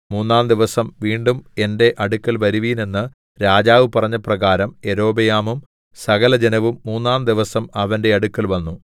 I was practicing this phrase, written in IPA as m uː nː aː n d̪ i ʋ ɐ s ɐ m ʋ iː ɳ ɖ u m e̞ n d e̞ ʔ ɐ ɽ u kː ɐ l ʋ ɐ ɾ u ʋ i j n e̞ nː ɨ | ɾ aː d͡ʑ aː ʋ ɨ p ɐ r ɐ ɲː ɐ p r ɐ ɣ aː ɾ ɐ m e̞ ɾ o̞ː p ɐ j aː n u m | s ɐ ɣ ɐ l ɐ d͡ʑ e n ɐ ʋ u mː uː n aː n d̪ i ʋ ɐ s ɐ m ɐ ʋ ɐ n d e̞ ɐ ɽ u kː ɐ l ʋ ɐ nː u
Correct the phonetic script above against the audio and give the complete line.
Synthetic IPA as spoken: m uː nː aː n d̪ i ʋ ɐ s ɐ m ʋ iː ɳ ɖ u m e̞ n d e̞ ʔ ɐ ɽ u kː ɐ l ʋ ɐ ɾ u ʋ i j n e̞ nː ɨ | ɾ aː d͡ʑ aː ʋ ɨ p ɐ r ɐ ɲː ɐ p r ɐ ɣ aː ɾ ɐ m e̞ ɾ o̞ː b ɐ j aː m u m | s ɐ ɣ ɐ l ɐ d͡ʑ e n ɐ ʋ u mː uː nː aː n d̪ i ʋ ɐ s ɐ m ɐ ʋ ɐ n d e̞ ɐ ɽ u kː ɐ l ʋ ɐ nː u